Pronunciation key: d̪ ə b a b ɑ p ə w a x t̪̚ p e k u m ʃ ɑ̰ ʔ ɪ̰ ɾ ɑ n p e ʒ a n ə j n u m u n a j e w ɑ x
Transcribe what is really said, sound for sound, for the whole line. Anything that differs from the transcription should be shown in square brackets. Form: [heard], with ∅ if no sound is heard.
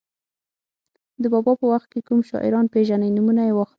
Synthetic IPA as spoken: d̪ ə b [ɑ] b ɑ p ə w a x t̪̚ [k] e k u m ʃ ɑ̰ ʔ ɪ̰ ɾ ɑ n p e ʒ a n ə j n u m u n a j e w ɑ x